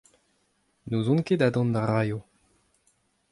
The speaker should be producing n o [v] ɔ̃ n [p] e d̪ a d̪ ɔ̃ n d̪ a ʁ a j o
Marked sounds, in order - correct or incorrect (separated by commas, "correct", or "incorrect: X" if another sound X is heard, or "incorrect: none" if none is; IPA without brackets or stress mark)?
incorrect: z, incorrect: k